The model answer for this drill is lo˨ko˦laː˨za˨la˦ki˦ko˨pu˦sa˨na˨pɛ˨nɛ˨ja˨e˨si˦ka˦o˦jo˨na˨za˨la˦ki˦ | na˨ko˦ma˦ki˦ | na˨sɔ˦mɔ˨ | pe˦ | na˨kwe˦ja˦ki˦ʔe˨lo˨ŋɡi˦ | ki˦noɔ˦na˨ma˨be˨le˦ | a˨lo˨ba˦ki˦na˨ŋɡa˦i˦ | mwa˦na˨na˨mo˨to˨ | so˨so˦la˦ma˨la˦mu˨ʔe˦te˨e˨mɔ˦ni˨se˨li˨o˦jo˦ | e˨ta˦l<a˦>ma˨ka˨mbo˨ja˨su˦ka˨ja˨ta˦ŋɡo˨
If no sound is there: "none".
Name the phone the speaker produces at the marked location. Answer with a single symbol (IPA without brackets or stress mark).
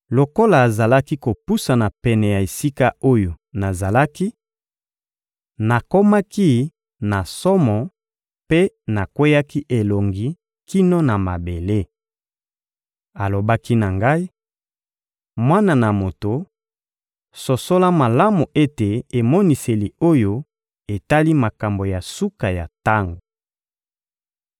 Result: i˦